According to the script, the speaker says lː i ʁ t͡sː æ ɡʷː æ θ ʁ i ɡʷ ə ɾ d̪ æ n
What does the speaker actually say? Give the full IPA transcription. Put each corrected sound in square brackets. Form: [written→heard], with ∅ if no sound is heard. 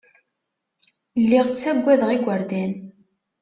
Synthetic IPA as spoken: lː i ʁ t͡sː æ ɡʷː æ [θ→ð] ʁ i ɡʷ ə ɾ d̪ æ n